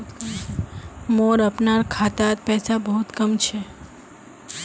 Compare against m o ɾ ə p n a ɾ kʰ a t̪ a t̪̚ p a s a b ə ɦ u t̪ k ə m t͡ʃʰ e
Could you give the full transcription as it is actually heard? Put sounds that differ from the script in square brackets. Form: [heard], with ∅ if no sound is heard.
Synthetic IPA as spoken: m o ɾ ə p n a ɾ kʰ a t̪ a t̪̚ p [ɛ] s a b ə ɦ u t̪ k ə m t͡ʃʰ e